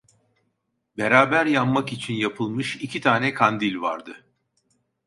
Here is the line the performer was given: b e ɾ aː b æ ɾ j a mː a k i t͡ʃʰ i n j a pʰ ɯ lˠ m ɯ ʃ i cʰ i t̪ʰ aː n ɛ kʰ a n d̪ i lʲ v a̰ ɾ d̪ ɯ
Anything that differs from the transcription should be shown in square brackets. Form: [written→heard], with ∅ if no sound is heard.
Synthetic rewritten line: b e ɾ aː b æ ɾ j a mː a k i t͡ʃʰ i n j a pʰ ɯ lˠ m ɯ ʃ i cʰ i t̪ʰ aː n ɛ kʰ a n d̪ i lʲ v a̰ ɾ d̪ ɯ

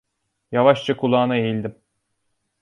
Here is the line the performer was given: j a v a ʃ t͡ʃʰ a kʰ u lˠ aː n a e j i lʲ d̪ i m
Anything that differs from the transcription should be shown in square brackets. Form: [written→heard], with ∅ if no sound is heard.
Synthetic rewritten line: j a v a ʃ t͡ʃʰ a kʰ u lˠ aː n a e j i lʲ d̪ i m

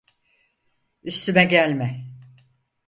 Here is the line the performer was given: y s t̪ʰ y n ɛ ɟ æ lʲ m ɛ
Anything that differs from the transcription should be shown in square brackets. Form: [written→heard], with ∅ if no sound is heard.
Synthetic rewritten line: y s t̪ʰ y [n→m] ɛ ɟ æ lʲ m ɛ

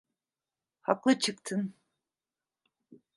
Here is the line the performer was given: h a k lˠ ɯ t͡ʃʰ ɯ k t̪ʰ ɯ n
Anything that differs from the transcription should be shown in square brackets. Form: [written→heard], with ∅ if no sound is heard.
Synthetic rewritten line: h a k lˠ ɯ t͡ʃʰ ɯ k t̪ʰ ɯ n

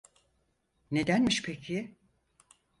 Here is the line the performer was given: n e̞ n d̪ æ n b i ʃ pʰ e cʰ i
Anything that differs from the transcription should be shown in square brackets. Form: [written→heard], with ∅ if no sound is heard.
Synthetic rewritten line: n e̞ [n→∅] d̪ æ n [b→m] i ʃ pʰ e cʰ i

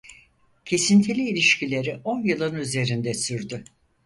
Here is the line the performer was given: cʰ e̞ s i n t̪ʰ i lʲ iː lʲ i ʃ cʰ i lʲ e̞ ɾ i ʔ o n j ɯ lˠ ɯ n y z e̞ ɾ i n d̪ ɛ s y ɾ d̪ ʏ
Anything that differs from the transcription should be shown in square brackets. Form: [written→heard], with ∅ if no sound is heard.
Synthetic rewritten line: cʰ e̞ s i n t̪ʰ i lʲ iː lʲ i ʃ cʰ i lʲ e̞ ɾ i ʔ o n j ɯ lˠ ɯ n y z e̞ ɾ i n d̪ ɛ s y ɾ d̪ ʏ

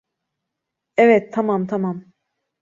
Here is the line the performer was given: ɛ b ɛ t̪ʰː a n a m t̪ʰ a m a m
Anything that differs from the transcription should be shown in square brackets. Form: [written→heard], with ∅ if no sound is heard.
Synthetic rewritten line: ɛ [b→v] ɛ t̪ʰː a [n→m] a m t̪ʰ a m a m

